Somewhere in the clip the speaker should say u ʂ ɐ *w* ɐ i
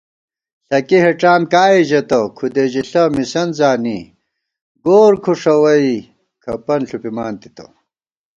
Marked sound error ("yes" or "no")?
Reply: no